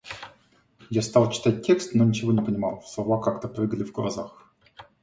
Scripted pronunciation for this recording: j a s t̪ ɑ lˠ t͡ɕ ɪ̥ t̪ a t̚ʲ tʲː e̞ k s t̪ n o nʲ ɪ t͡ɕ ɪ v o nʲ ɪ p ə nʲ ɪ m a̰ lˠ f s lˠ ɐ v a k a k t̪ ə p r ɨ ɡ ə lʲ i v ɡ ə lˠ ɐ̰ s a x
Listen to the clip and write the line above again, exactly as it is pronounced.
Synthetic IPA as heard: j a s t̪ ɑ lˠ t͡ɕ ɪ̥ t̪ a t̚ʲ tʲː e̞ k s t̪ n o nʲ ɪ t͡ɕ ɪ v o nʲ ɪ p ə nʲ ɪ m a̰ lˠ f s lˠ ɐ v a k a k t̪ ə p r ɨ ɡ ə lʲ ɪ v ɡ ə lˠ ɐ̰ z a x